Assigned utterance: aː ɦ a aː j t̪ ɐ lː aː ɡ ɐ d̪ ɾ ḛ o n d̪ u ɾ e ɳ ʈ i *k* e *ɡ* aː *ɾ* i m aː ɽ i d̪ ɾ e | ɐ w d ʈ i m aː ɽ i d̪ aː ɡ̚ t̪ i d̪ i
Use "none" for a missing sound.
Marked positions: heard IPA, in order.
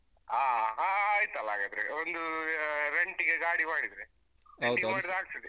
ɡ, ɡ, ɽ

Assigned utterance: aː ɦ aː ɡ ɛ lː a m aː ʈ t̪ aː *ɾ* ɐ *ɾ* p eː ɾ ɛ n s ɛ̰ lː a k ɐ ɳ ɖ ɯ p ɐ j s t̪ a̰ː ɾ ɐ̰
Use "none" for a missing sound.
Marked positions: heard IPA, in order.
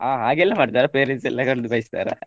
ɾ, none

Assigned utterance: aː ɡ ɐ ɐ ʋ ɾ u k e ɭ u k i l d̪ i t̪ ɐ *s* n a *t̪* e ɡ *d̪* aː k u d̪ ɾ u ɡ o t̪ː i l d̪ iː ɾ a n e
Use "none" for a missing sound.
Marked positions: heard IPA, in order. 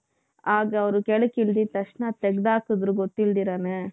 ʂ, t̪, d̪

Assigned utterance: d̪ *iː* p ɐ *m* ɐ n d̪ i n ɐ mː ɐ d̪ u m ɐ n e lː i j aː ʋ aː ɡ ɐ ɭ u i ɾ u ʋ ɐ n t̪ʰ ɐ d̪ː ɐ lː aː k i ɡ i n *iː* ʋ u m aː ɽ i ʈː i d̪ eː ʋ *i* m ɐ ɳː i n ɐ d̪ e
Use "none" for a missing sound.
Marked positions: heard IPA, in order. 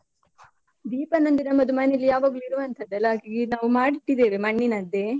iː, n, aː, e

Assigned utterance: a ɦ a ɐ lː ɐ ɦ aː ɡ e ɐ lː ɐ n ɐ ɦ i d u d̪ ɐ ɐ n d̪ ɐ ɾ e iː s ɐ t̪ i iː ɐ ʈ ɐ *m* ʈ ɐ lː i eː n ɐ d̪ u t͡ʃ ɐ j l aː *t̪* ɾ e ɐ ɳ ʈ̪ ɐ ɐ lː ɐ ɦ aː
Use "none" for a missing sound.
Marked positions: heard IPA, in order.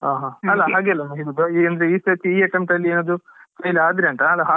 m, d̪

